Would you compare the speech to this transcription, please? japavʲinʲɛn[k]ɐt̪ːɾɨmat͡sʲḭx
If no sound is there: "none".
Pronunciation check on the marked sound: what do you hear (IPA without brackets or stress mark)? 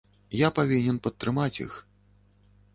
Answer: p